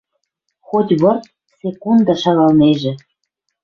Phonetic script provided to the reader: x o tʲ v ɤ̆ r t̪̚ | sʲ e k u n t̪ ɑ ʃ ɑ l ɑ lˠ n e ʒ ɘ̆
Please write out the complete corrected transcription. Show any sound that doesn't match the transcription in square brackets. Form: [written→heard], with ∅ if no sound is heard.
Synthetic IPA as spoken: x o tʲ [v→β] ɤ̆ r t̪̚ | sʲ e k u n [t̪→d̪] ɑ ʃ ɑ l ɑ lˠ n e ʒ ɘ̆